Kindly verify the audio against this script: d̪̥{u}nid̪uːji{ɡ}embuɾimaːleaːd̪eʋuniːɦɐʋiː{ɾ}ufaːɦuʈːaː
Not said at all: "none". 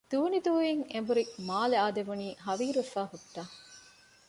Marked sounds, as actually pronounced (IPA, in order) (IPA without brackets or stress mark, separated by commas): uː, ŋ, ɾ